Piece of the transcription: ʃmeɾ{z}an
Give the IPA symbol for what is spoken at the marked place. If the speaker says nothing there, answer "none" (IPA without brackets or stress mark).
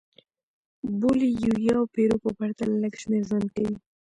z